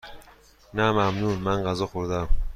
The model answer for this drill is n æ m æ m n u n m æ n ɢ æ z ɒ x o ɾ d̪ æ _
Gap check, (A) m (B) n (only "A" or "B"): A